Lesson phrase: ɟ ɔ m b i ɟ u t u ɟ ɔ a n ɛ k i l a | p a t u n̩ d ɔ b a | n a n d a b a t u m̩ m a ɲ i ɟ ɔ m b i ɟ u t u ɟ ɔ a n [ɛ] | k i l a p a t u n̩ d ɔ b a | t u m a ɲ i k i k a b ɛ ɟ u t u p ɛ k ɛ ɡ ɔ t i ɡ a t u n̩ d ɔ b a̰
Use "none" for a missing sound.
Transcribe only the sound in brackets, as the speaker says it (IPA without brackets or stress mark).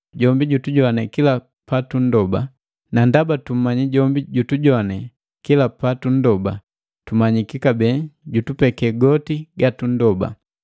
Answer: ɛ